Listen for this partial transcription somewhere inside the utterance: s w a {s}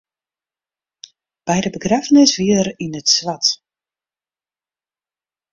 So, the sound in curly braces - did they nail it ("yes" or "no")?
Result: no